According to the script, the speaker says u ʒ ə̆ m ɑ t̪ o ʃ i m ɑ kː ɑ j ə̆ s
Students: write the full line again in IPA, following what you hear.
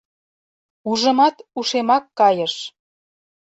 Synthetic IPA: u ʒ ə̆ m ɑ t̪ u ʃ e m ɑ kː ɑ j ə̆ ʃ